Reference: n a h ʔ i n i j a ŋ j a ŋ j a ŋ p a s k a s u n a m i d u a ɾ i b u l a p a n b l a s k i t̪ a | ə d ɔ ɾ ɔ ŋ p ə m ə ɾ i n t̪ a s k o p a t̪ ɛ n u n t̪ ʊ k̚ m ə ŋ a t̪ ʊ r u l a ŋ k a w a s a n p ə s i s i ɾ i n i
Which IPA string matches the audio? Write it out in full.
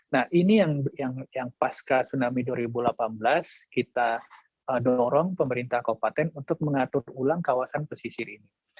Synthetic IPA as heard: n a h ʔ i n i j a ŋ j a ŋ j a ŋ p a s k a s u n a m i d u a ɾ i b u l a p a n b l a s k i t̪ a | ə d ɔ ɾ ɔ ŋ p ə m ə ɾ i n t̪ a h k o p a t̪ ɛ n u n t̪ ʊ k̚ m ə ŋ a t̪ ʊ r u l a ŋ k a w a s a n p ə s i s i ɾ i n i